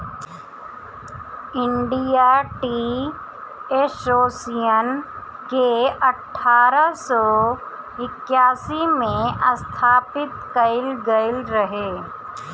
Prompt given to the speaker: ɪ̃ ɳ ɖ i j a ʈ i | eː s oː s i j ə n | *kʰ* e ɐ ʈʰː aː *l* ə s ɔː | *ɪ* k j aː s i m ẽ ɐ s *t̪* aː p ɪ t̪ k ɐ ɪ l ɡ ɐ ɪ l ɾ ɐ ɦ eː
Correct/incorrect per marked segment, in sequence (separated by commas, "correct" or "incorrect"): incorrect, incorrect, correct, incorrect